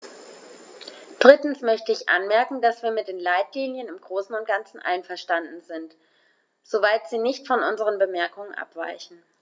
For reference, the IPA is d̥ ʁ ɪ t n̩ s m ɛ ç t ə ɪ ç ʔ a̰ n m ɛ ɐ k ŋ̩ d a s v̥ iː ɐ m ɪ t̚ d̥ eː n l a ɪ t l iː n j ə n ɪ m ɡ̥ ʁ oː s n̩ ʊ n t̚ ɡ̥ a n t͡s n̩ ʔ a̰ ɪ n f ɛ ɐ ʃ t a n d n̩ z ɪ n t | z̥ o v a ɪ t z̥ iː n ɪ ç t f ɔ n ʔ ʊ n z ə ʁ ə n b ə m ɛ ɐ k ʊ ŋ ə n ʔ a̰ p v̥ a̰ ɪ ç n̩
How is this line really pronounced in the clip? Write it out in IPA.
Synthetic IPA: d̥ ʁ ɪ t n̩ s m œ ç t ə ɪ ç ʔ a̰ n m ɛ ɐ k ŋ̩ d a s v̥ iː ɐ m ɪ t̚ d̥ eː n l a ɪ t l iː n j ə n ɪ m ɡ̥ ʁ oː s n̩ ʊ n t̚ ɡ̥ a n t͡s n̩ ʔ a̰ ɪ n f ɛ ɐ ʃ t a n d n̩ z ɪ n t | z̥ o v a ɪ t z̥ iː n ɪ ç t f ɔ n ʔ ʊ n z ə ʁ ə n b ə m ɛ ɐ k ʊ ŋ ə n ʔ a̰ p v̥ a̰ ɪ ç n̩